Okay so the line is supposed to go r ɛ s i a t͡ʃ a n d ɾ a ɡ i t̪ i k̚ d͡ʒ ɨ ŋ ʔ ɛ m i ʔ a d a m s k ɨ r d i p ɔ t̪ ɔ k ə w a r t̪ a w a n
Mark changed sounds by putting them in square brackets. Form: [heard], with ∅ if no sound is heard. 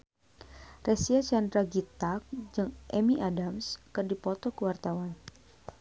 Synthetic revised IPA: r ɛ s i a t͡ʃ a n d ɾ a ɡ i t̪ [a] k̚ d͡ʒ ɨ ŋ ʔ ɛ m i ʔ a d a m s k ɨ r d i p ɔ t̪ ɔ k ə w a r t̪ a w a n